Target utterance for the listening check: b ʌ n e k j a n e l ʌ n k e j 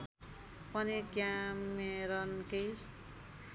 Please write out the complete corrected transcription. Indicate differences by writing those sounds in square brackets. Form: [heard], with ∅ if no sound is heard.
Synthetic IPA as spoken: [p] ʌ n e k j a [m] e [ɾ] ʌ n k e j